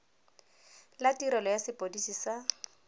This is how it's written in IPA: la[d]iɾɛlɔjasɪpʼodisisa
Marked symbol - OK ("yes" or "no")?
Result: no